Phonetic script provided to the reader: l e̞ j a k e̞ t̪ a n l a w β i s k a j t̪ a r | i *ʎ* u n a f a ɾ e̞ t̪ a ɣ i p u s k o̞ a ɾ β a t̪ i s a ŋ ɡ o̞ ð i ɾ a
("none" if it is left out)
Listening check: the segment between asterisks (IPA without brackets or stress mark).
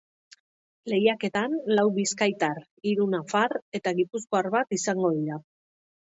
ɾ